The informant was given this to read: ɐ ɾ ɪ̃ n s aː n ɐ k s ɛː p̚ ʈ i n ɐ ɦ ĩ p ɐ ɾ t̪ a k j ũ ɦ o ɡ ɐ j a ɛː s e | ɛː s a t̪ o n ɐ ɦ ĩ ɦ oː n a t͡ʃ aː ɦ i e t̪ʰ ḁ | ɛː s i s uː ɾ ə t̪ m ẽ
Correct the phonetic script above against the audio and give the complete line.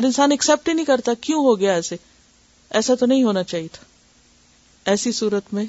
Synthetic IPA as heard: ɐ ɾ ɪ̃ n s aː n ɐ k s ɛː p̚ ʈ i n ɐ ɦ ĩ k ɐ ɾ t̪ a k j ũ ɦ o ɡ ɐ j a ɛː s e | ɛː s a t̪ o n ɐ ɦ ĩ ɦ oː n a t͡ʃ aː ɦ i e t̪ʰ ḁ | ɛː s i s uː ɾ ə t̪ m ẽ